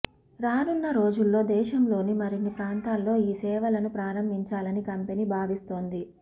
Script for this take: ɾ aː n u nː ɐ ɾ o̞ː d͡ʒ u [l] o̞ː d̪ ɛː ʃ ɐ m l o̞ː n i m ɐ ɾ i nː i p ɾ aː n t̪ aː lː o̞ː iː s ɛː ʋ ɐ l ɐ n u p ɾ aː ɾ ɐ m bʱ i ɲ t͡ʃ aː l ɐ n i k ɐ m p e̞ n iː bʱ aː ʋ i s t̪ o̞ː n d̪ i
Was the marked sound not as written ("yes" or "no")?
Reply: yes